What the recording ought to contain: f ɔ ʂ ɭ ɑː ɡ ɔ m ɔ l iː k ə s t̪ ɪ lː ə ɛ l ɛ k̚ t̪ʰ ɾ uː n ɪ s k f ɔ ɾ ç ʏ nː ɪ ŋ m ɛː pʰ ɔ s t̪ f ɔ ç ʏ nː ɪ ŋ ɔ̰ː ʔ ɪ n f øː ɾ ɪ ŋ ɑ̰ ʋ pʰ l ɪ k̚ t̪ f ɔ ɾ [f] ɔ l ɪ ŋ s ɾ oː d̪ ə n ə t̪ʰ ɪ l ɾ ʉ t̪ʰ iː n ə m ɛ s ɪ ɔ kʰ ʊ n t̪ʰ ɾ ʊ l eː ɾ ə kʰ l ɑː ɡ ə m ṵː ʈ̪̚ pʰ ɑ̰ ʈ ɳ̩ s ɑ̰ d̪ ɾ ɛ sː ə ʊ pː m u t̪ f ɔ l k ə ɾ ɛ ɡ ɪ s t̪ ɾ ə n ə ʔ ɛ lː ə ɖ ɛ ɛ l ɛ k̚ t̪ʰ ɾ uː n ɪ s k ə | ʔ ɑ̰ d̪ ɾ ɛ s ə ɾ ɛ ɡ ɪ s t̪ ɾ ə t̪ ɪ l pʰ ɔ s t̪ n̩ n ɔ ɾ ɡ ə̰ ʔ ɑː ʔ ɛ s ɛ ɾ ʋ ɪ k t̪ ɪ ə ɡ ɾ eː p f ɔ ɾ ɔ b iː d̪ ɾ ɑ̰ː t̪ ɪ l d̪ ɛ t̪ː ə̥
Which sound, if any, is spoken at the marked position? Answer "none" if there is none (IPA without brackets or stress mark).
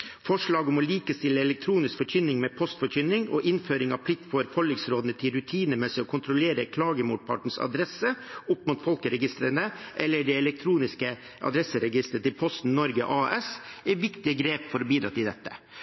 f